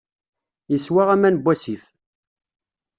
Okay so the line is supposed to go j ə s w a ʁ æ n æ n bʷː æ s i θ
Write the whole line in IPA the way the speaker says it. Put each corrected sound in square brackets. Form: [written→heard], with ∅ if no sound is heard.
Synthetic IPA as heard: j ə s w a ʁ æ [n→m] æ n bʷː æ s i θ